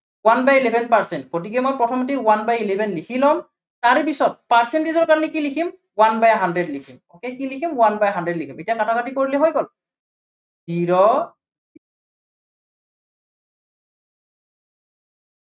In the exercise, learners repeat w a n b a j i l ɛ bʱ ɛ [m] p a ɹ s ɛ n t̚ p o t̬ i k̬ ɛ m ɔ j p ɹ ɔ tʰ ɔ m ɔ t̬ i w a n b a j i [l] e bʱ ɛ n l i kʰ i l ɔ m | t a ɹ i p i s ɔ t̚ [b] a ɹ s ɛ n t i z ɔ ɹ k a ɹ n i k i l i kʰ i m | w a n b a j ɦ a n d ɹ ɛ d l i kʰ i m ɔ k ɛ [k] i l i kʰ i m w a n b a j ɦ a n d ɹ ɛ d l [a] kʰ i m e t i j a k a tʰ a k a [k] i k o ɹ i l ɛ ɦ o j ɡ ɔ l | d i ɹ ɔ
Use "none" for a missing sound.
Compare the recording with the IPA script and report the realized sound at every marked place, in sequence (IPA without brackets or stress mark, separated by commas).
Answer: n, l, p, k, i, t